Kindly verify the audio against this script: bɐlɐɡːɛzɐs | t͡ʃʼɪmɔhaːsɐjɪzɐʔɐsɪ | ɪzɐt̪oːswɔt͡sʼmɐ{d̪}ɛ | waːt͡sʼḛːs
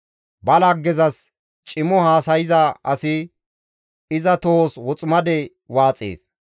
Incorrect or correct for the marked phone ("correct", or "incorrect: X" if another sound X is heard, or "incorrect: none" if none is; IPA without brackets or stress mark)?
correct